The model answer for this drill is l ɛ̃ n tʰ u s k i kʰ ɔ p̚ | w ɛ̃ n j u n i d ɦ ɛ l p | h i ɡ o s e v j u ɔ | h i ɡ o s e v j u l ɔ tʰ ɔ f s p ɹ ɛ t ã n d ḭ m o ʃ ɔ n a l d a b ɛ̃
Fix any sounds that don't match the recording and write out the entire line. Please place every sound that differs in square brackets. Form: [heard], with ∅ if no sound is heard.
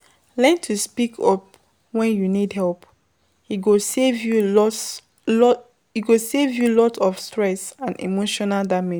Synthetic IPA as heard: l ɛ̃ n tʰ u s [p] i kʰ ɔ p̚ | w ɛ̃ n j u n i d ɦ ɛ l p | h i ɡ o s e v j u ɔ | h i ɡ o s e v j u l ɔ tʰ ɔ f s [t] ɹ ɛ [s] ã n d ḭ m o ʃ ɔ n a l d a [m] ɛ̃